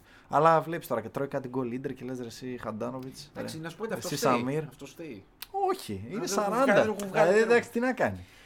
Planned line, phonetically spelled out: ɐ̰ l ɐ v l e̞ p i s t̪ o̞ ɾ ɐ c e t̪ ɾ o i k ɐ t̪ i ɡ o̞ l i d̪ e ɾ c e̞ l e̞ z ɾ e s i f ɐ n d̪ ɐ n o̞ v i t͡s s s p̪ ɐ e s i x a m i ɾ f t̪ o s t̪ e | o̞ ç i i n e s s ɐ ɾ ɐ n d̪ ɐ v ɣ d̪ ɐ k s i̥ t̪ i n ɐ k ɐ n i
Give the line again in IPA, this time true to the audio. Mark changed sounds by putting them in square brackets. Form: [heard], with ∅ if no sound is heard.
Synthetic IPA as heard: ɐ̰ l ɐ v l e̞ p i s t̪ o̞ ɾ ɐ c e t̪ ɾ o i k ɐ t̪ i ɡ o̞ l i d̪ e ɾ c e̞ l e̞ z ɾ e s i [x] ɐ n d̪ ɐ n o̞ v i t͡s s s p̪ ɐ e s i [s] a m i ɾ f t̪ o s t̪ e | o̞ ç i i n e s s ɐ ɾ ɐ n d̪ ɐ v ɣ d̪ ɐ k s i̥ t̪ i n ɐ k ɐ n i